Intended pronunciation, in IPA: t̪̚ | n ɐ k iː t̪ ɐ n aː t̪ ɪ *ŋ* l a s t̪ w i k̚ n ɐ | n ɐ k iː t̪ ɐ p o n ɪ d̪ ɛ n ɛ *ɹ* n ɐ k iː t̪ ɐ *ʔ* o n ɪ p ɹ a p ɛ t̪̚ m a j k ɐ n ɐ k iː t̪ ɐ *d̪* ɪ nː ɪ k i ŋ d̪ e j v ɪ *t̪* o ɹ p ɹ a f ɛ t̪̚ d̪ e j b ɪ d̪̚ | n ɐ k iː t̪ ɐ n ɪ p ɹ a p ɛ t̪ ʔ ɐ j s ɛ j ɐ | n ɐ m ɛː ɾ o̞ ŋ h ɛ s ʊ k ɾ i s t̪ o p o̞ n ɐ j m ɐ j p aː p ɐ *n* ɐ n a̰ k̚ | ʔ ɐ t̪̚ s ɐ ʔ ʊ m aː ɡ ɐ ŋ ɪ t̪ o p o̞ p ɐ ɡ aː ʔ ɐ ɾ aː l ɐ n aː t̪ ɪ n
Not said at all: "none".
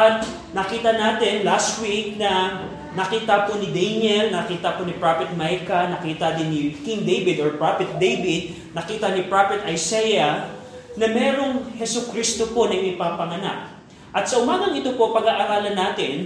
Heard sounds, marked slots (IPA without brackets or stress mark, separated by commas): n, l, p, d̪, d̪, ŋ